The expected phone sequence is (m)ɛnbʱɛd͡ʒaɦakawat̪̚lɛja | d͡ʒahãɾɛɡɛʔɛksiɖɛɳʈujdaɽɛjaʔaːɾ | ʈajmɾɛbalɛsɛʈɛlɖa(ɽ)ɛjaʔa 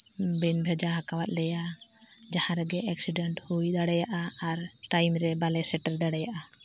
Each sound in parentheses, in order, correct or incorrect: incorrect: b, correct

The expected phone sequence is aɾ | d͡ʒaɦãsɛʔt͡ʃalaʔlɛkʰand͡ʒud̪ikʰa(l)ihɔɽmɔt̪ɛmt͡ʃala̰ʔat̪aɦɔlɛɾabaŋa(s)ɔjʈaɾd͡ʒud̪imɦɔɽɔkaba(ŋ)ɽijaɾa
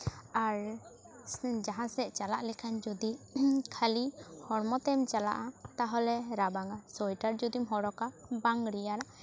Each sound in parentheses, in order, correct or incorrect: correct, correct, correct

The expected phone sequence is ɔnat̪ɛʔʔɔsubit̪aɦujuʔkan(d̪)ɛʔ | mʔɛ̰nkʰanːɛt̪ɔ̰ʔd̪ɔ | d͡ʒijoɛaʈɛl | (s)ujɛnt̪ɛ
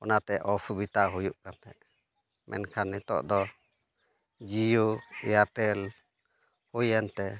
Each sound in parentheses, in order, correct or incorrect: incorrect: t̪, incorrect: h

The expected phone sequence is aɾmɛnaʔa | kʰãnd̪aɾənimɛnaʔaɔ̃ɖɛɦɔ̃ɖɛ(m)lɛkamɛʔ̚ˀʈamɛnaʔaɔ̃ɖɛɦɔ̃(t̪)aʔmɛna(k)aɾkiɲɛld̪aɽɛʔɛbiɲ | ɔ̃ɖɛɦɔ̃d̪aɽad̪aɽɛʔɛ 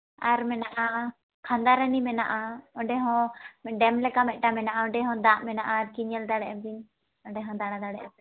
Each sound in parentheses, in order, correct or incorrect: correct, incorrect: d̪, incorrect: ʔ

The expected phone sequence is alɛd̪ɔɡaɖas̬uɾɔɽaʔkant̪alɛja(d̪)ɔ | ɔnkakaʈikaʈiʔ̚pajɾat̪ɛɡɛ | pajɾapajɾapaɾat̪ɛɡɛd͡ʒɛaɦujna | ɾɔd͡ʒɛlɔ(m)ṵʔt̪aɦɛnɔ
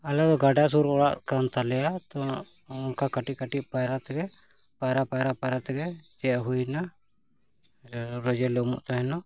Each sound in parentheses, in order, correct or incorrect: incorrect: t̪, correct

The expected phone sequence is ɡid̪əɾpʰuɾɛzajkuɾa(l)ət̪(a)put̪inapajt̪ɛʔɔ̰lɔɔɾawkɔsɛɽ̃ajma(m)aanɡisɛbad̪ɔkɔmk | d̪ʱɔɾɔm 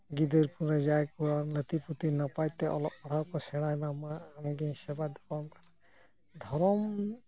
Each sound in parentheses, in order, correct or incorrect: correct, incorrect: i, correct

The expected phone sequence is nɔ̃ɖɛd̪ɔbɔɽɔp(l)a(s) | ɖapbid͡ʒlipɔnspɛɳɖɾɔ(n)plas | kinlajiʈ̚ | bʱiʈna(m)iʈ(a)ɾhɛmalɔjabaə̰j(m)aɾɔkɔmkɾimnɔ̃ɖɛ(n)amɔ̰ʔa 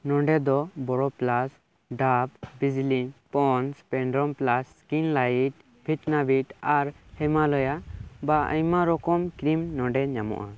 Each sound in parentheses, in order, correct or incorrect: correct, correct, incorrect: m, incorrect: b, correct, correct, incorrect: ɲ

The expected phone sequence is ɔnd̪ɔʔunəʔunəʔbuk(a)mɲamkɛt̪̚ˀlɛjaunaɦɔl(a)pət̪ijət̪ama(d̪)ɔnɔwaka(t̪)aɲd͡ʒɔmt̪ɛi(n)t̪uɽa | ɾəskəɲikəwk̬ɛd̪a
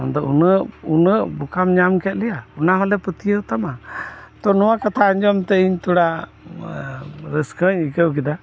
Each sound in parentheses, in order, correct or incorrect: correct, incorrect: ɛ, incorrect: t̪, incorrect: t̪ʰ, incorrect: ɲ

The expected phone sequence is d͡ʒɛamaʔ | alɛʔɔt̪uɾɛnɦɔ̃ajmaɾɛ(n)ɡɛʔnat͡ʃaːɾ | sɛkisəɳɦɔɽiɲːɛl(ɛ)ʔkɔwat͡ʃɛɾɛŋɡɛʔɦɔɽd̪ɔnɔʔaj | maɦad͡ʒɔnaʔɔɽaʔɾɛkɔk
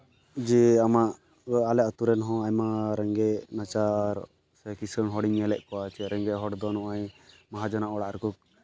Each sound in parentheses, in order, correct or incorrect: incorrect: ŋ, correct

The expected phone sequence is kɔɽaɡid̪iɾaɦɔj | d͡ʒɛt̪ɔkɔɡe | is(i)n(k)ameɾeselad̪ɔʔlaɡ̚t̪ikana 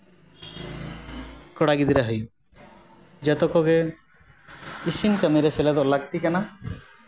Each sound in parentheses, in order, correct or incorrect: correct, correct

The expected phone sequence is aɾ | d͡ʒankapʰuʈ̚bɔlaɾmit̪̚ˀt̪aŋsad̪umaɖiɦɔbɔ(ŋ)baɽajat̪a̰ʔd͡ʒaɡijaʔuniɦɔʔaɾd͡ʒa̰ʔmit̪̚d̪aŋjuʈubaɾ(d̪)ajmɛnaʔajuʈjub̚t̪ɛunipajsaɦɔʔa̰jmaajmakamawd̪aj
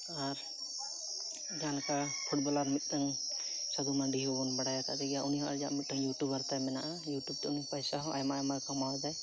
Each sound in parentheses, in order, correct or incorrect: incorrect: n, incorrect: t̪

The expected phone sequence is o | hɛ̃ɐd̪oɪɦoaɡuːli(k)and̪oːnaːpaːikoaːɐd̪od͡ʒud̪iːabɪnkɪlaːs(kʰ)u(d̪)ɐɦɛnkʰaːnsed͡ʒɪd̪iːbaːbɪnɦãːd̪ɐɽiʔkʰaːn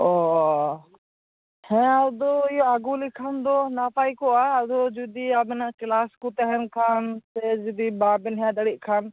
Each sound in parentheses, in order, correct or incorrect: incorrect: kʰ, incorrect: k, incorrect: t̪

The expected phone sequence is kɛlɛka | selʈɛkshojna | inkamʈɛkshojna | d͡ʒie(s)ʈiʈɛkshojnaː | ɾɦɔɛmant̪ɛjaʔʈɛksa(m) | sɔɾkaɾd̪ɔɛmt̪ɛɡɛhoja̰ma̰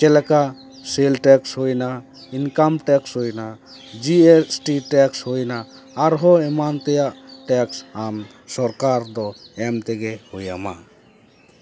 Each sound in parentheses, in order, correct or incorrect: correct, correct

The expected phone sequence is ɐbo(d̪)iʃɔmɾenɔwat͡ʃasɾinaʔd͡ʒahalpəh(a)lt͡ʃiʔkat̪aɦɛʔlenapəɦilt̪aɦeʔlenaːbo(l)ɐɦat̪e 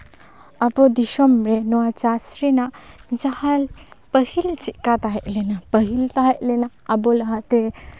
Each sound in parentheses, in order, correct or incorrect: correct, incorrect: i, correct

